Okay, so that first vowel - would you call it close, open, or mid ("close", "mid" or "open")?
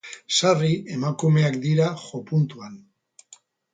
open